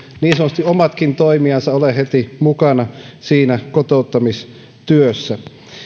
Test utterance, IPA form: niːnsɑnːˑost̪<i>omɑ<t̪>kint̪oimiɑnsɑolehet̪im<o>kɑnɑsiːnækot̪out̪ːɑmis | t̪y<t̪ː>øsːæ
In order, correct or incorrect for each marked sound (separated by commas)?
correct, correct, incorrect, incorrect